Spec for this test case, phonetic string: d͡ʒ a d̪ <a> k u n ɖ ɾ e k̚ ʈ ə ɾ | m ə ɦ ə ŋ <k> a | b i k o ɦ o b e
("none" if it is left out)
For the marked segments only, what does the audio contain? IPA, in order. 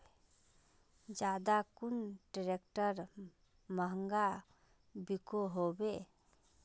a, ɡ

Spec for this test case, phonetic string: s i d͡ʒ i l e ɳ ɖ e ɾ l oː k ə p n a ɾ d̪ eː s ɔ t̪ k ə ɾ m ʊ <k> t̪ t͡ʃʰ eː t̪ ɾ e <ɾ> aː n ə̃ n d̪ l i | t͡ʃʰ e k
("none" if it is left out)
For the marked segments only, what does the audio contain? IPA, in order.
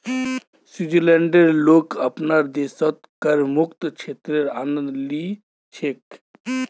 k, ɾ

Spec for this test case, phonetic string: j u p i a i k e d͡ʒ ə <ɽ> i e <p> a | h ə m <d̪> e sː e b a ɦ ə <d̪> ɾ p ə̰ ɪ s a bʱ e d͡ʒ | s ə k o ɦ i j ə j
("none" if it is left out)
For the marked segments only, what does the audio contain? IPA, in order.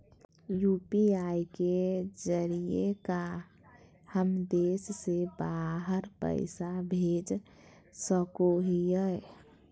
ɾ, k, d̪, none

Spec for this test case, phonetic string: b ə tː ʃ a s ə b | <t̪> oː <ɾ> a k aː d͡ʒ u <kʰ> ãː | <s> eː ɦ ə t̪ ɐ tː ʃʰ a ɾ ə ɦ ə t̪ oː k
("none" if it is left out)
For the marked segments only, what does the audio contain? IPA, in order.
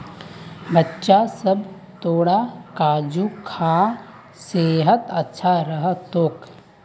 t̪, ɽ, kʰ, s

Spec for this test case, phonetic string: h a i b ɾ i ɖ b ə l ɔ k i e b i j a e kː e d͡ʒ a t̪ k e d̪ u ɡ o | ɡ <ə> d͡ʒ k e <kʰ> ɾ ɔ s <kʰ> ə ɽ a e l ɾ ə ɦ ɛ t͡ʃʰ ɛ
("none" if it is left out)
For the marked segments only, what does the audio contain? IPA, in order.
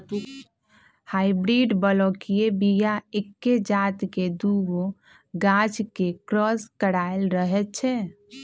a, k, k

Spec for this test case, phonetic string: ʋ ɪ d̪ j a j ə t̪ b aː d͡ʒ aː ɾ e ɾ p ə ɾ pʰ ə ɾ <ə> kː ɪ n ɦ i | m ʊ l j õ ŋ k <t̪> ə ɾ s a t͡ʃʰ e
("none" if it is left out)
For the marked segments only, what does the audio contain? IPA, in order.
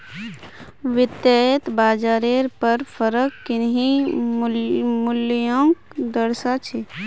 ə, d̪

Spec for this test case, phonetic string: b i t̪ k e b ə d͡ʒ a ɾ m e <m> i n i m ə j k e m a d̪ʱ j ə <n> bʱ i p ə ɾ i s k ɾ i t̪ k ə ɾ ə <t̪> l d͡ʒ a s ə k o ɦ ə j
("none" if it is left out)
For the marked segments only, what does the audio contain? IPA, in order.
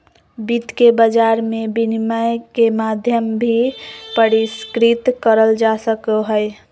b, m, none

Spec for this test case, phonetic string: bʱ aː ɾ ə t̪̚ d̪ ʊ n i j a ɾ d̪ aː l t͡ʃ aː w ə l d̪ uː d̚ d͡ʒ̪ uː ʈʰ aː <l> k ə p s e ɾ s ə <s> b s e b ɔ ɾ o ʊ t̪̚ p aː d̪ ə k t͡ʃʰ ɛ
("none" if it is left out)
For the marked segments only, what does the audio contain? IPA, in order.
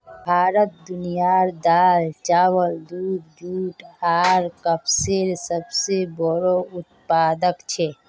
ɾ, none

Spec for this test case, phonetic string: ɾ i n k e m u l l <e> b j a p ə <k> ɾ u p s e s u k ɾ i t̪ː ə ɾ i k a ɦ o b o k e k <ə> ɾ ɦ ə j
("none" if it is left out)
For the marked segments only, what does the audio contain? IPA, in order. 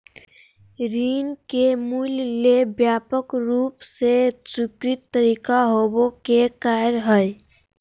e, k, a

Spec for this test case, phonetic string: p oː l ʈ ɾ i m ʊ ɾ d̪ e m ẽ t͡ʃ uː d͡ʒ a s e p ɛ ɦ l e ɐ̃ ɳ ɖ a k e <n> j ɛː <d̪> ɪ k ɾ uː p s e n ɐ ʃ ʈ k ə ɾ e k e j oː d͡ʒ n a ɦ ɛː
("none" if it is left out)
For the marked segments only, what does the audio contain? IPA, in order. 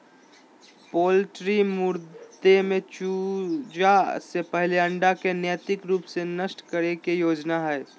n, t̪

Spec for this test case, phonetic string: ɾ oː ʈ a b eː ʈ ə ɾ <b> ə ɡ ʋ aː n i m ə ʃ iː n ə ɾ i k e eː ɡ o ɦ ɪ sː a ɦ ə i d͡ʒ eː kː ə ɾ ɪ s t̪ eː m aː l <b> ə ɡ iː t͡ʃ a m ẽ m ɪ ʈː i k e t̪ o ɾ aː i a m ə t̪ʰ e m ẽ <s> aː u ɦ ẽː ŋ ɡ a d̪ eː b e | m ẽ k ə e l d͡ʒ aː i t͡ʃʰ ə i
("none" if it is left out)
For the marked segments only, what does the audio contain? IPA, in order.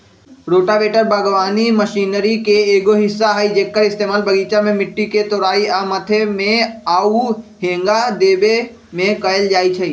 b, b, none

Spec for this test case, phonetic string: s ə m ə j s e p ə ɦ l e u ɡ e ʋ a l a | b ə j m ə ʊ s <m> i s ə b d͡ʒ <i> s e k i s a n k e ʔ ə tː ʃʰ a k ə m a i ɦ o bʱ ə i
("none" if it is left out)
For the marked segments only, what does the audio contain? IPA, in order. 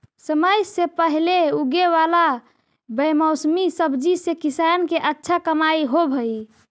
m, i

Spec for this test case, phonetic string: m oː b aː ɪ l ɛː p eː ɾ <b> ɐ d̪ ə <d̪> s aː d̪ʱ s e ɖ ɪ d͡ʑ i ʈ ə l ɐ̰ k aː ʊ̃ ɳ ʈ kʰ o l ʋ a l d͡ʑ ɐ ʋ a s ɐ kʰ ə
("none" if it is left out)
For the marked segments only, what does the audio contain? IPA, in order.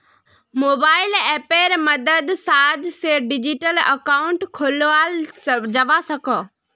m, d̪

